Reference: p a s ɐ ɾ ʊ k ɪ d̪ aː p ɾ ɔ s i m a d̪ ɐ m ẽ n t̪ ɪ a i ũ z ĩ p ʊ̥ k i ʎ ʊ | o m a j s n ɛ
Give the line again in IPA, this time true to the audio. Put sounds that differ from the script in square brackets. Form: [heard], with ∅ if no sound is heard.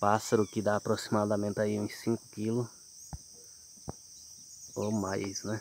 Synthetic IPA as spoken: p a s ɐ ɾ ʊ k ɪ d̪ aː p ɾ [o] s i m a d̪ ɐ m ẽ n t̪ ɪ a i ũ [s] ĩ [k] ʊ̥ k i [l] ʊ | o m a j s n ɛ